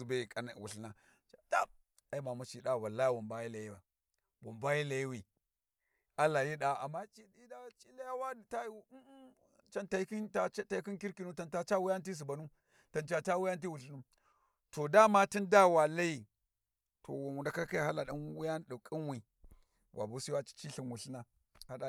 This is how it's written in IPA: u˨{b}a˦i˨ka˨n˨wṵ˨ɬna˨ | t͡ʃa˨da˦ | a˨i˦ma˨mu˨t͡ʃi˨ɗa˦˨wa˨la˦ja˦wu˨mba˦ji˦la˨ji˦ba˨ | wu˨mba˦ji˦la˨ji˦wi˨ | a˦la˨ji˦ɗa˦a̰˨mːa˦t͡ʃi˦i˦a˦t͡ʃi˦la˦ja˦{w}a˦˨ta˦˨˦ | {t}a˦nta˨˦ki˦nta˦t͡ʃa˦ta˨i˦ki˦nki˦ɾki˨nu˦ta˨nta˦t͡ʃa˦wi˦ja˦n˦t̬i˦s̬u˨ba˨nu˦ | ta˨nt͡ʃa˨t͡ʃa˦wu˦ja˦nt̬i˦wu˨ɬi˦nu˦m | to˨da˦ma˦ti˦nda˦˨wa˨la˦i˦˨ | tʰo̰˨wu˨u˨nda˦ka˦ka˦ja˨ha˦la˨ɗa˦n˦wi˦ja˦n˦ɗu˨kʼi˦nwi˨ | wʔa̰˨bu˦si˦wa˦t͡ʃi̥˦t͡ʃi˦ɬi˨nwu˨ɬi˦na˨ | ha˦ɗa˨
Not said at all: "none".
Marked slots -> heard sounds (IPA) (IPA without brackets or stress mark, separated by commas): b, w, t͡ʃ